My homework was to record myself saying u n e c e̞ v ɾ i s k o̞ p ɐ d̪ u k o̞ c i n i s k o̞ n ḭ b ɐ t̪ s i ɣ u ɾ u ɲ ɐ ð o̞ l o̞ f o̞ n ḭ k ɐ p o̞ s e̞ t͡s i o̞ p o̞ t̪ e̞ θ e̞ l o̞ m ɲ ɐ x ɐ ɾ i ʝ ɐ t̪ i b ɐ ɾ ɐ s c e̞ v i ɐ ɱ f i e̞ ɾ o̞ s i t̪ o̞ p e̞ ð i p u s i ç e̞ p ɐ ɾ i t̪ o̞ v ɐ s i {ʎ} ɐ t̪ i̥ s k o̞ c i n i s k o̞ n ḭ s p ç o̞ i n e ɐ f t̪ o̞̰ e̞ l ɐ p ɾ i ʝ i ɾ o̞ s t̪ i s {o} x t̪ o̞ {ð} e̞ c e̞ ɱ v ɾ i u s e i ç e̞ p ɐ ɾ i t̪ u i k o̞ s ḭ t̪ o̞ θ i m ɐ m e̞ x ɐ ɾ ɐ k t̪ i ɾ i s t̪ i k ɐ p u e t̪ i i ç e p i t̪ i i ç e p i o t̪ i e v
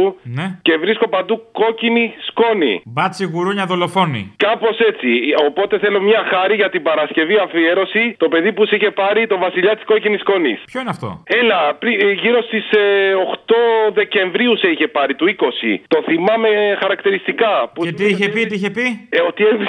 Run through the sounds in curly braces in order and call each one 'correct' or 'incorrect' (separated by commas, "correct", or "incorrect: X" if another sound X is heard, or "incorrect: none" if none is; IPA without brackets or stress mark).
correct, correct, correct